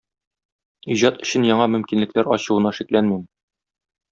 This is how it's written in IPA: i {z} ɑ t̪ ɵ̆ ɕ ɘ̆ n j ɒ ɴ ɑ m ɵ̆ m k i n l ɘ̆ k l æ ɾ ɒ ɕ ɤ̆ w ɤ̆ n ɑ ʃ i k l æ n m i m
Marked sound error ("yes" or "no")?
yes